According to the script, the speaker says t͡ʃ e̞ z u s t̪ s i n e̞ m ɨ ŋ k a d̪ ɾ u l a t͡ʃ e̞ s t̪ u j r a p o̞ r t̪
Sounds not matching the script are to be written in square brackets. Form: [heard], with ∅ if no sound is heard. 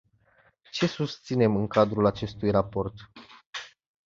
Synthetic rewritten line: t͡ʃ e̞ [s] u s t̪ s i n e̞ m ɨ ŋ k a d̪ ɾ u l a t͡ʃ e̞ s t̪ u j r a p o̞ r t̪

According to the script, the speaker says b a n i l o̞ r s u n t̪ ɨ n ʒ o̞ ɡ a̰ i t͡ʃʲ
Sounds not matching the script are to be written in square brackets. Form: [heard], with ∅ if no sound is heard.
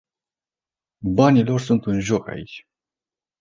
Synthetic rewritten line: b a n i l o̞ r s u n t̪ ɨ n ʒ o̞ [k] a̰ i t͡ʃʲ

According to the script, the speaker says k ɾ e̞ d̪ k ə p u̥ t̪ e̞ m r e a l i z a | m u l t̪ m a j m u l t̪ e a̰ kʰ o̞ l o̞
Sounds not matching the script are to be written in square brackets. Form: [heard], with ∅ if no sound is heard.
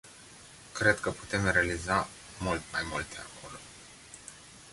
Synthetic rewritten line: k ɾ e̞ d̪ k ə p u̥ t̪ e̞ m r e a l i z a | m u l t̪ m a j m u l t̪ e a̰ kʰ o̞ l o̞

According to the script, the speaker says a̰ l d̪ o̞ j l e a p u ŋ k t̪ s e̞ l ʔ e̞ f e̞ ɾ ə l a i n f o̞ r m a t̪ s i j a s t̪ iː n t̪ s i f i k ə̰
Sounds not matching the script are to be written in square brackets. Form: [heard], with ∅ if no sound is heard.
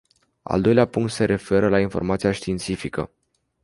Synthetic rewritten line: a̰ l d̪ o̞ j l e a p u ŋ k t̪ s e̞ [ɾ] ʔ e̞ f e̞ ɾ ə l a i n f o̞ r m a t̪ s i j a [ʃ] t̪ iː n t̪ s i f i k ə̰

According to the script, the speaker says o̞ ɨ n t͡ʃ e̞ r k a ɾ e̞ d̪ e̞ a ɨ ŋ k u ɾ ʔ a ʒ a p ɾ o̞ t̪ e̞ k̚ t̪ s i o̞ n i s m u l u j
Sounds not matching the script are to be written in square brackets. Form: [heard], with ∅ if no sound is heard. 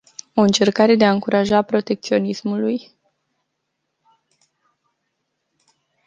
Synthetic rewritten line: o̞ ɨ n t͡ʃ e̞ r k a ɾ e̞ d̪ e̞ a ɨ ŋ k u ɾ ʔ a ʒ a p ɾ o̞ t̪ e̞ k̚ t̪ s i o̞ n i s m u l u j

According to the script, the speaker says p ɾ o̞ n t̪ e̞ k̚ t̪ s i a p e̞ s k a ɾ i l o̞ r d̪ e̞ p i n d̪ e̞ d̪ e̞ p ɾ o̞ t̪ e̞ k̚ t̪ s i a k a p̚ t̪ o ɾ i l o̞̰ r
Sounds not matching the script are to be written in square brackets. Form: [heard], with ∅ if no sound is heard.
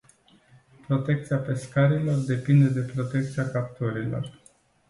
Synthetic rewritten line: p ɾ o̞ [∅] t̪ e̞ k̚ t̪ s i a p e̞ s k a ɾ i l o̞ r d̪ e̞ p i n d̪ e̞ d̪ e̞ p ɾ o̞ t̪ e̞ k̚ t̪ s i a k a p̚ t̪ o ɾ i l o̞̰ r

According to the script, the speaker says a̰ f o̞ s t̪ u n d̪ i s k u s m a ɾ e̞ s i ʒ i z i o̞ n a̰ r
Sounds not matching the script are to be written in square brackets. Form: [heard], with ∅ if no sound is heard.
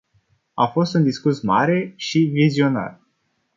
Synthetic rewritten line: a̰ f o̞ s t̪ u n d̪ i s k u s m a ɾ e̞ [ʃ] i [v] i z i o̞ n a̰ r

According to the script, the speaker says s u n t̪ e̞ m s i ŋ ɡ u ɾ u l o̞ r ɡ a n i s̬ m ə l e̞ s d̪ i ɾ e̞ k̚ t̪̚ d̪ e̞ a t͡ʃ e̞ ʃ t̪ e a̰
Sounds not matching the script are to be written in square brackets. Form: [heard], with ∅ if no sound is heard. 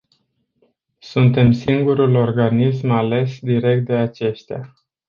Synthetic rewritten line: s u n t̪ e̞ m s i ŋ ɡ u ɾ u l o̞ r ɡ a n i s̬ m [a] l e̞ s d̪ i ɾ e̞ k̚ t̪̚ d̪ e̞ a t͡ʃ e̞ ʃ t̪ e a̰

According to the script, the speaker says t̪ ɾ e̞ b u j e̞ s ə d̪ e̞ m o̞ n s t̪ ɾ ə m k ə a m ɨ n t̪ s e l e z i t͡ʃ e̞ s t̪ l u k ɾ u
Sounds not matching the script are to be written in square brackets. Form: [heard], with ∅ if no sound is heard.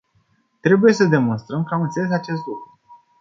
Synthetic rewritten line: t̪ ɾ e̞ b u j e̞ s ə d̪ e̞ m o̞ n s t̪ ɾ ə m k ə a m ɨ n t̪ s e l e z [a] t͡ʃ e̞ s t̪ l u k ɾ u

